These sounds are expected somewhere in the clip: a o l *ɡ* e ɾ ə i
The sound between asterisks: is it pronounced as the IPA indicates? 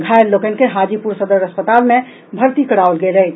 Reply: yes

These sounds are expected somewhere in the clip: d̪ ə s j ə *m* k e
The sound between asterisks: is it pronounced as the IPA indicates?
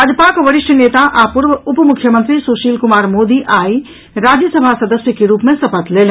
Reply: no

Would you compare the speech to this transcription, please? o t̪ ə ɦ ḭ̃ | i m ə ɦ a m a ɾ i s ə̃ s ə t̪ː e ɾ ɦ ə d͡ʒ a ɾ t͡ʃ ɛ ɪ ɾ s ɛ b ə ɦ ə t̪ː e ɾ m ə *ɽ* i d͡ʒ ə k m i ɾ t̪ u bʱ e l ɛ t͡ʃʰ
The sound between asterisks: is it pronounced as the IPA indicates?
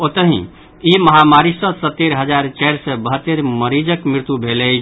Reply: no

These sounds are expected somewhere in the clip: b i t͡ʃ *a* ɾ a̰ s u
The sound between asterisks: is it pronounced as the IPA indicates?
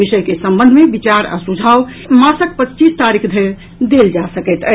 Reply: yes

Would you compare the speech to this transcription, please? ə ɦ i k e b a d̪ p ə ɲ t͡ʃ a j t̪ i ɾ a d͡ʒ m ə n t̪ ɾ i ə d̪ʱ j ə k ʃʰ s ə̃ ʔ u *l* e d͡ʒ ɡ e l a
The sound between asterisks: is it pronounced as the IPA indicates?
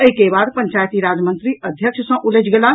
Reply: yes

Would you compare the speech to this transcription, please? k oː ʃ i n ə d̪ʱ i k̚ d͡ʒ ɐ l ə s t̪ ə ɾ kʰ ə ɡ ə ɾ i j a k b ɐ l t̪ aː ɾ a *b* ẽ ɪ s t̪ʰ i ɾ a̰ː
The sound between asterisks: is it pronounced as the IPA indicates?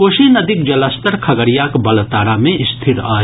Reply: no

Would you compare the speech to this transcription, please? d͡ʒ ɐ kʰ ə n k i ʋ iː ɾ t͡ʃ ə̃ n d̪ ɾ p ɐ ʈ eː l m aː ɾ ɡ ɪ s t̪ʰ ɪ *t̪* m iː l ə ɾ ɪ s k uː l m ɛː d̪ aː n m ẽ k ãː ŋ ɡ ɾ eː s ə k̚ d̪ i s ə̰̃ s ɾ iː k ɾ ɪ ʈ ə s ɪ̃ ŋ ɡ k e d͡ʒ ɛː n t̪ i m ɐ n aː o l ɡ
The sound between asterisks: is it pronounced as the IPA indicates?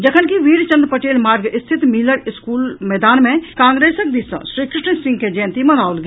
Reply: yes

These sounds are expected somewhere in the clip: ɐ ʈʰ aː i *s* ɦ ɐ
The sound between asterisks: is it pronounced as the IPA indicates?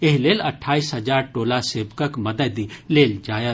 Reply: yes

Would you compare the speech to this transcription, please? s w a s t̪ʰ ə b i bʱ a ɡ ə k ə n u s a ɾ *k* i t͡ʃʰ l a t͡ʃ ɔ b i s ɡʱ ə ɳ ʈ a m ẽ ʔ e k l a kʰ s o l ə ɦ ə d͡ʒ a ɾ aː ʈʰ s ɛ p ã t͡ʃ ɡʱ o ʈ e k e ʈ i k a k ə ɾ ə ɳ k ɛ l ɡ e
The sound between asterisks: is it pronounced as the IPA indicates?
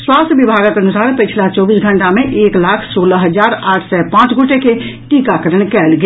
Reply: no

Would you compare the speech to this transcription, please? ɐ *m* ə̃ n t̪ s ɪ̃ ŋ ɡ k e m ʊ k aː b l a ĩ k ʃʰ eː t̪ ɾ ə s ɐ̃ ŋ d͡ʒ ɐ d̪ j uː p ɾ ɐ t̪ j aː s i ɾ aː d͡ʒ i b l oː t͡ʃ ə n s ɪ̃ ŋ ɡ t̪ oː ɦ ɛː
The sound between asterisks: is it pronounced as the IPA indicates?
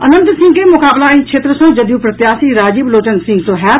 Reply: no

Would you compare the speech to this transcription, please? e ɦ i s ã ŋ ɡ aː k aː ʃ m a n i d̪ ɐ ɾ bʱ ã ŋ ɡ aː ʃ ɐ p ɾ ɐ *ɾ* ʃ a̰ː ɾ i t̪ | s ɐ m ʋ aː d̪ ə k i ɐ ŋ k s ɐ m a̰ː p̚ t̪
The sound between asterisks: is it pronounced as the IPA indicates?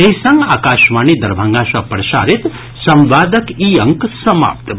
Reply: no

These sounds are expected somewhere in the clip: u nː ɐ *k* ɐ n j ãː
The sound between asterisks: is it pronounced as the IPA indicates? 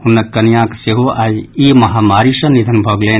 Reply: yes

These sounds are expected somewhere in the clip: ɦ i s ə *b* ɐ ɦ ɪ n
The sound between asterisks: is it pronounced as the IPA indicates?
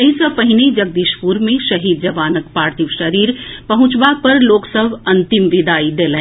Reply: no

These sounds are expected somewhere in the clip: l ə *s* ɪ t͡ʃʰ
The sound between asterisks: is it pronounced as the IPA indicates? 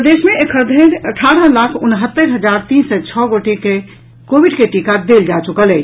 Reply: no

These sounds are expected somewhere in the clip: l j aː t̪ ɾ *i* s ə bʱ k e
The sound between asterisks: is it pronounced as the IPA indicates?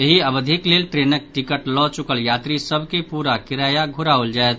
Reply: yes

